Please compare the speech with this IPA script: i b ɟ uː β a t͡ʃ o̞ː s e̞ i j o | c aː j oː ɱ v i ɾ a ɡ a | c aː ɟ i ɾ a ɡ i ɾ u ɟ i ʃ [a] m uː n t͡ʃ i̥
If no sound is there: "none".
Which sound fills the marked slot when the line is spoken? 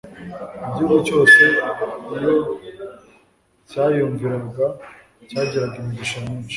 a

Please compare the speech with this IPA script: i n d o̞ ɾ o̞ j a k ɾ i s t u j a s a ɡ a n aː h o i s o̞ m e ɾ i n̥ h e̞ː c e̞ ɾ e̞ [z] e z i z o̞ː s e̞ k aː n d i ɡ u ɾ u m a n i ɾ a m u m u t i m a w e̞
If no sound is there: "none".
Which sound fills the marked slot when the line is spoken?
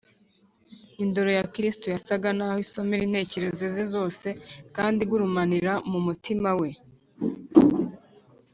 z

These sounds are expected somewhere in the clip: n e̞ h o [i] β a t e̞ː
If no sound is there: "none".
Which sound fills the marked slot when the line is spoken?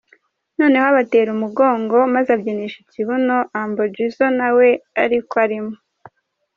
a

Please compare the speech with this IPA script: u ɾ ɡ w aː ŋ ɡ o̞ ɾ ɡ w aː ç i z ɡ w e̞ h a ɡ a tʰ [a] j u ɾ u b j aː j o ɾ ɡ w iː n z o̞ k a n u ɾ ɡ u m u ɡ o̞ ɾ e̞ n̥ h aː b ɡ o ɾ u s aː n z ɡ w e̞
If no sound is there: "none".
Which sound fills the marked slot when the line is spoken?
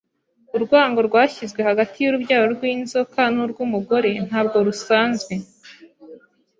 i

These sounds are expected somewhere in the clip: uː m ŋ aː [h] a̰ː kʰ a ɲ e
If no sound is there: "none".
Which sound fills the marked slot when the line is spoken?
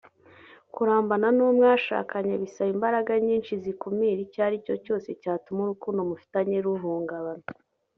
ʃ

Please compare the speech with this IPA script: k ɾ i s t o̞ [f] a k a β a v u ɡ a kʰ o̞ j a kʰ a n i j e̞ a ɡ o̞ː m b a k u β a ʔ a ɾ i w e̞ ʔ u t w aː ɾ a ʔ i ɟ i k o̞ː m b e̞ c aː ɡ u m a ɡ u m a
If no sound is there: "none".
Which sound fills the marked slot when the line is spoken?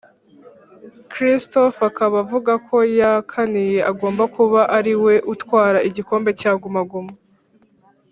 f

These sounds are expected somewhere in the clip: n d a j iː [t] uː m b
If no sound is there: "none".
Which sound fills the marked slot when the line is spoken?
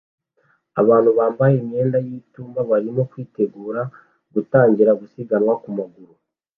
t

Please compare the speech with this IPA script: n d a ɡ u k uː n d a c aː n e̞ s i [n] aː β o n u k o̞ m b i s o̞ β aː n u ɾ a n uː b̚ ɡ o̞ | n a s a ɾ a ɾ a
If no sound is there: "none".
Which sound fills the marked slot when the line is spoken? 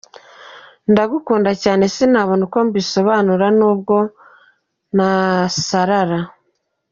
n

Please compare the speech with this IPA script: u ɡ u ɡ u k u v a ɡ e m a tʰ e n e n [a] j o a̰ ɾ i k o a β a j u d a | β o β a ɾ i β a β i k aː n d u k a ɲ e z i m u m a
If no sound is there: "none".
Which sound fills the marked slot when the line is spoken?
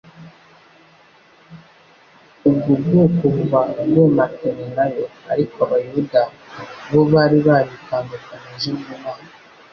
a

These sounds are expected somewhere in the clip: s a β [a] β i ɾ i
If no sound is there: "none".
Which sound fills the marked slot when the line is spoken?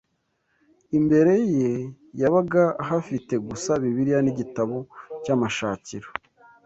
i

